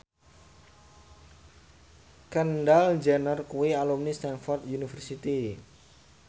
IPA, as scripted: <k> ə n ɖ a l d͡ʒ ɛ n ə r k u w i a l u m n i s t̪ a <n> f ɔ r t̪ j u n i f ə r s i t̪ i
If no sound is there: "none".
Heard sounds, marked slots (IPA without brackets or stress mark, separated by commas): k, n